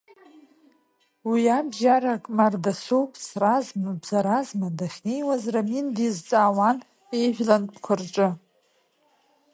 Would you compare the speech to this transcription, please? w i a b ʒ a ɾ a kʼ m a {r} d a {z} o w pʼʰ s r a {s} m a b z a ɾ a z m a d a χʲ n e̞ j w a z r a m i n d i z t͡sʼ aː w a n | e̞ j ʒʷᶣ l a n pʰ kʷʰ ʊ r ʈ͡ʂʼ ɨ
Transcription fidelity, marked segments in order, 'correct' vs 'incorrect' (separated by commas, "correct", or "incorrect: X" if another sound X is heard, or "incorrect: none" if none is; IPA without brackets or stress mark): correct, incorrect: s, incorrect: z